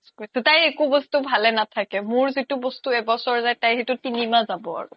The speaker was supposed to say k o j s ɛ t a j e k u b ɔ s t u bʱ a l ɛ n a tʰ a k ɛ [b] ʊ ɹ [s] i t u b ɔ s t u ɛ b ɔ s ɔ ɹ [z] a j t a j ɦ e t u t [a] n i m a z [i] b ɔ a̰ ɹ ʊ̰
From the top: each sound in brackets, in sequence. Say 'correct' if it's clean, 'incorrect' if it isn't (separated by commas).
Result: incorrect, incorrect, correct, incorrect, incorrect